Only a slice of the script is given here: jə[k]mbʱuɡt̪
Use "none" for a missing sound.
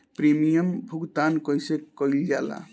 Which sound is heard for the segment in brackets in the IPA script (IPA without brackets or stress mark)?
none